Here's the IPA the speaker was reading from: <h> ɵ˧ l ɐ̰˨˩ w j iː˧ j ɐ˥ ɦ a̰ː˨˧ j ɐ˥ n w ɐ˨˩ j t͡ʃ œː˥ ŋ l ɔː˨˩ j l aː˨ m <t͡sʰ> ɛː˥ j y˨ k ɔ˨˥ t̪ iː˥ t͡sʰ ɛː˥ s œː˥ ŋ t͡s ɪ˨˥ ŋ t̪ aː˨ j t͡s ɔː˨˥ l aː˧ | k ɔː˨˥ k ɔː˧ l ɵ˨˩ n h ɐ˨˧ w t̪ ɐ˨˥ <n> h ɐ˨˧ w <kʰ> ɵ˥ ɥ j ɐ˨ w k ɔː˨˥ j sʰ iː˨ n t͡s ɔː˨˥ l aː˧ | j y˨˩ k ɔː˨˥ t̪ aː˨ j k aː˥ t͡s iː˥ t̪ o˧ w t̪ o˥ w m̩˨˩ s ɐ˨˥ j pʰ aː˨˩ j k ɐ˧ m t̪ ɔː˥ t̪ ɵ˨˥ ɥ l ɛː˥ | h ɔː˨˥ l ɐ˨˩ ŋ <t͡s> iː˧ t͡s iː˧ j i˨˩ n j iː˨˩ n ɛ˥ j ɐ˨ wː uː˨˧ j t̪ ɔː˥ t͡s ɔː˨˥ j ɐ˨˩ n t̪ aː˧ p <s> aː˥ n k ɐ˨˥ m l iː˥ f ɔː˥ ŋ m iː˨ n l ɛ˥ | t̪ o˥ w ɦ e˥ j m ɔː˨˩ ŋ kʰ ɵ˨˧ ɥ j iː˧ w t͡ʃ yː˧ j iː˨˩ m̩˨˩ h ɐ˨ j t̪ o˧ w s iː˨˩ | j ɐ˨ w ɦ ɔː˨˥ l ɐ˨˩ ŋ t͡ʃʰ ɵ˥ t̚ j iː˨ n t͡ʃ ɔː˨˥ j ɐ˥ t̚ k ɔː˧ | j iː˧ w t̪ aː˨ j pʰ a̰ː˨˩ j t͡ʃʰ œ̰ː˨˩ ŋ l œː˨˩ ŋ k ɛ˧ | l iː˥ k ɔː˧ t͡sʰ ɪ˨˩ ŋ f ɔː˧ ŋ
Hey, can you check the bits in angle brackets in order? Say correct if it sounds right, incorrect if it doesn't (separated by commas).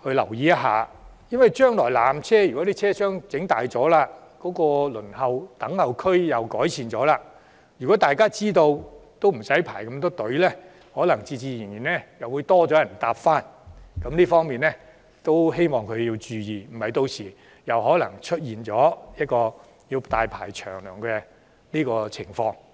correct, correct, incorrect, correct, correct, incorrect